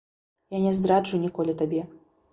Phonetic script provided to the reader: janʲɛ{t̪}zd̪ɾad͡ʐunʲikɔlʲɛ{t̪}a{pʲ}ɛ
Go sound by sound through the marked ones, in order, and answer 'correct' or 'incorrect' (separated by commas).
incorrect, correct, incorrect